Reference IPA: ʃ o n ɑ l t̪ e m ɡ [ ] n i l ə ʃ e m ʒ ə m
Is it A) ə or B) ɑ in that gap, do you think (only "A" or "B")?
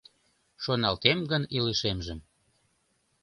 A